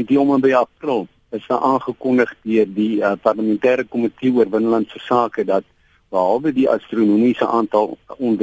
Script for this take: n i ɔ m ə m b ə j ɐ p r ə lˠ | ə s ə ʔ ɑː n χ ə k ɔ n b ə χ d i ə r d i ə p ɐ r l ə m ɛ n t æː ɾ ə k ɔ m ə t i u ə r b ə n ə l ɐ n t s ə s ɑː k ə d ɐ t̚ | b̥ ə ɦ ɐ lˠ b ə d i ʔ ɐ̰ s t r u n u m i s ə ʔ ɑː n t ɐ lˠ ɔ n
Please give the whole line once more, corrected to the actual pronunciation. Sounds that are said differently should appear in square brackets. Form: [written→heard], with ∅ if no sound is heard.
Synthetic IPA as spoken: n i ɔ m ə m b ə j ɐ p r ə lˠ | ə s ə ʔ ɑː n χ ə k ɔ n [b→d] ə χ d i ə r d i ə p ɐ r l ə m ɛ n t æː ɾ ə k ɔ m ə t i u ə r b ə n ə l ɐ n t s ə s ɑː k ə d ɐ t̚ | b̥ ə ɦ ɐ lˠ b ə d i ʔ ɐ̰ s t r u n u m i s ə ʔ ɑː n t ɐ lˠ ɔ n